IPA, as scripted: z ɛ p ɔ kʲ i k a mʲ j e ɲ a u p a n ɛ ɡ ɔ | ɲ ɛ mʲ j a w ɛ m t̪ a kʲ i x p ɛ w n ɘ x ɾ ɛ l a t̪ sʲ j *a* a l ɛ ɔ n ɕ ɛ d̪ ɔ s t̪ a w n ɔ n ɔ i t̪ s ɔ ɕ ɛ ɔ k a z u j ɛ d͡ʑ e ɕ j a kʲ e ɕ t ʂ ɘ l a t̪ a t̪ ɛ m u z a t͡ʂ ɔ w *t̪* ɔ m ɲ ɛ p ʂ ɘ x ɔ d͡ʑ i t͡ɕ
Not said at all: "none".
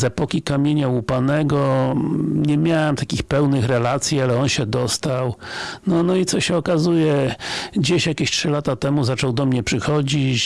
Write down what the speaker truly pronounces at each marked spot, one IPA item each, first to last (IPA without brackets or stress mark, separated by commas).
i, d̪